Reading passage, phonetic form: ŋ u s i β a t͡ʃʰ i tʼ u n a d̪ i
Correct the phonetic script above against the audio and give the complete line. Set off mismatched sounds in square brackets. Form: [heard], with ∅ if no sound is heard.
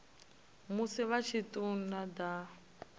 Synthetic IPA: [m] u s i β a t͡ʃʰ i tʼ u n a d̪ [a]